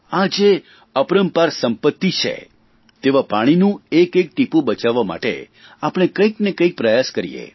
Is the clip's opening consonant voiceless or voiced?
voiced